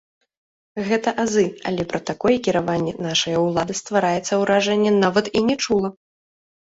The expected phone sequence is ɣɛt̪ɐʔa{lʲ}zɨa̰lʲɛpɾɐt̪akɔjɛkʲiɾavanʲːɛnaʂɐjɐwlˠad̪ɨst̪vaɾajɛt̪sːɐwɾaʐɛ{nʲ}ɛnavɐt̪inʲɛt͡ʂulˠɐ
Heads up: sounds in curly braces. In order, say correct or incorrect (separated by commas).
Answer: incorrect, incorrect